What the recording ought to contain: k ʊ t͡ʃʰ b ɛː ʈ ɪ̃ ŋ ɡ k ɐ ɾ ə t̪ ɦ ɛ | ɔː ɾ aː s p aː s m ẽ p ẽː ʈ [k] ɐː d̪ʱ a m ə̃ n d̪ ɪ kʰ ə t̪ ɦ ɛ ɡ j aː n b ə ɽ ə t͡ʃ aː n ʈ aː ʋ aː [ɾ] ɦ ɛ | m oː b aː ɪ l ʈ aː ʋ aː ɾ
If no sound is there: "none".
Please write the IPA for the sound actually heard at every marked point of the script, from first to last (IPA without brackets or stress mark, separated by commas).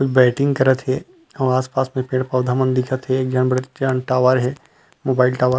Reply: p, ɾ